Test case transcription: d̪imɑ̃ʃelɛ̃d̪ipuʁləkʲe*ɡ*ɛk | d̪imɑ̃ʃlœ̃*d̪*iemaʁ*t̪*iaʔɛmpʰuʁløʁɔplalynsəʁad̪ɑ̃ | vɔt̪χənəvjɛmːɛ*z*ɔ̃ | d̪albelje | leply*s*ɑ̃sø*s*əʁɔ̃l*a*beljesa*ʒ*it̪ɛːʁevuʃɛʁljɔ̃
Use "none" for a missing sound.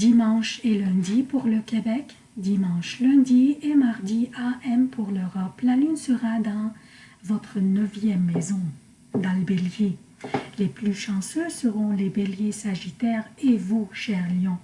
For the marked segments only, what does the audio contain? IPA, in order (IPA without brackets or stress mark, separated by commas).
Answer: b, d̪, d̪, z, ʃ, s, e, ʒ